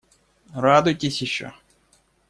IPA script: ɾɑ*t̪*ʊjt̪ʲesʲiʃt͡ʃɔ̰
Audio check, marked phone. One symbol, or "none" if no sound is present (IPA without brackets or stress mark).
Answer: d̪